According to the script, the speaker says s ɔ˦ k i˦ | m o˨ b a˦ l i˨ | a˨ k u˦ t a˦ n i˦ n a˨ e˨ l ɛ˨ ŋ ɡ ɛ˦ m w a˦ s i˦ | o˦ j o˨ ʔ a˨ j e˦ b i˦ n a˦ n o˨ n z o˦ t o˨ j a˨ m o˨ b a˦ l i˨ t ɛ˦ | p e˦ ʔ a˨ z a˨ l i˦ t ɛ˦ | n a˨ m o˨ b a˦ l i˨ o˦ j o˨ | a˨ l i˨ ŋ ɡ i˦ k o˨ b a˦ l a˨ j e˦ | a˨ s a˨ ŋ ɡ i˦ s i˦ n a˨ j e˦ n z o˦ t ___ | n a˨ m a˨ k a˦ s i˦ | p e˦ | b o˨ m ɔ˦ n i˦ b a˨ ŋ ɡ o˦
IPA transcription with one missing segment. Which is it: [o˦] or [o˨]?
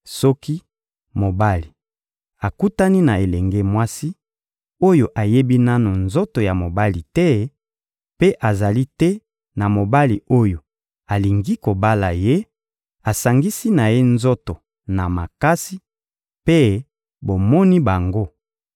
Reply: o˨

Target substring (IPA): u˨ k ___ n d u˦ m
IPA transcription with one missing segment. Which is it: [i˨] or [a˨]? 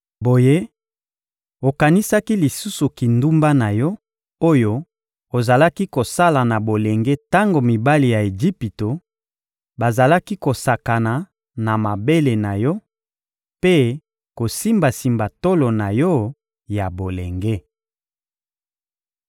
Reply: i˨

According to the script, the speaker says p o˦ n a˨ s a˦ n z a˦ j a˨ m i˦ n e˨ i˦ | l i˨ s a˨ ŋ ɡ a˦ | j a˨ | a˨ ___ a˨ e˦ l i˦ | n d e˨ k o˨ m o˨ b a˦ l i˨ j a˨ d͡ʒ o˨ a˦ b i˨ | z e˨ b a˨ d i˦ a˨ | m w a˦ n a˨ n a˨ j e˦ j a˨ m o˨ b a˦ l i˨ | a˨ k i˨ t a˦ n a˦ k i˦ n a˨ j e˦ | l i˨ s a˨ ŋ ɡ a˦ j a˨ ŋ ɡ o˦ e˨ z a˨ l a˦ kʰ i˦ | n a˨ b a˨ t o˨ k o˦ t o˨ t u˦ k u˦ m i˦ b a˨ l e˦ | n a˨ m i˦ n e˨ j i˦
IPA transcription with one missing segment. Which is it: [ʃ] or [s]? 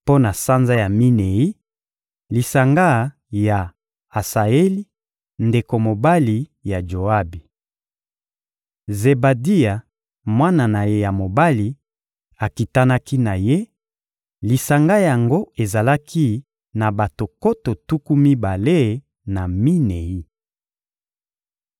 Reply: s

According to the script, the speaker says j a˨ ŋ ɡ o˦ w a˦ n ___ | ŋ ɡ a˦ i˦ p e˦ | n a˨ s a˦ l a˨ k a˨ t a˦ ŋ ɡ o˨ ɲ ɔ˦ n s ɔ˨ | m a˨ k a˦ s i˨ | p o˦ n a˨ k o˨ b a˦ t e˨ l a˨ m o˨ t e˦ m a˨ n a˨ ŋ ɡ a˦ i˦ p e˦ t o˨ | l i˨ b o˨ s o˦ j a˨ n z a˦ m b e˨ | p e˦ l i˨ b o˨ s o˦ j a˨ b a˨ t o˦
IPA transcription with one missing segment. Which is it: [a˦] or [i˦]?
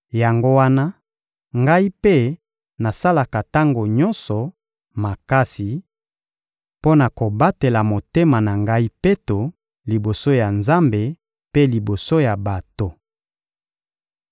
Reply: a˦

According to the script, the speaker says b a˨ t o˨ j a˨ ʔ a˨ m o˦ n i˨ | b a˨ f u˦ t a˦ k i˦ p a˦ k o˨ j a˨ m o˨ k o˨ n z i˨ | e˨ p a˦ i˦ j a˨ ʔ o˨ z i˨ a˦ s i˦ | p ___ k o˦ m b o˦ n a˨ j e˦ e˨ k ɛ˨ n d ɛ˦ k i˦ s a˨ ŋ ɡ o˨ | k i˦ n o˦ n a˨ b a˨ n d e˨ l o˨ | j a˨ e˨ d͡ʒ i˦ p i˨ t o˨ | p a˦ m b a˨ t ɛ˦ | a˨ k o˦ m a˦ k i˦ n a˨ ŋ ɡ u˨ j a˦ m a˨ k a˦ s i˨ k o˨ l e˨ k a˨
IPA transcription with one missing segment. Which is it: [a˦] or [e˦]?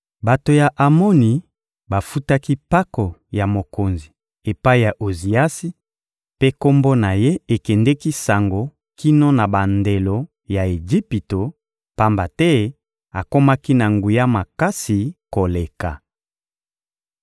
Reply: e˦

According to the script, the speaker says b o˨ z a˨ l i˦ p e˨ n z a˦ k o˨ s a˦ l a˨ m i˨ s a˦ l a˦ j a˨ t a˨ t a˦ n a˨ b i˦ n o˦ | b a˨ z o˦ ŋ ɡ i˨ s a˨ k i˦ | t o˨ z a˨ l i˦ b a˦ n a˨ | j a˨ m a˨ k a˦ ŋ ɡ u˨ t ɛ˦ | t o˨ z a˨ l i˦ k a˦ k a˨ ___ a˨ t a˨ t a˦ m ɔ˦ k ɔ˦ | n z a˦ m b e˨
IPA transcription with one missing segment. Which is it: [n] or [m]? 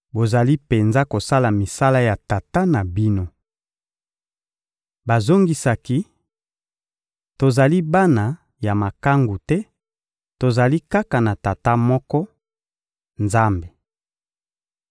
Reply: n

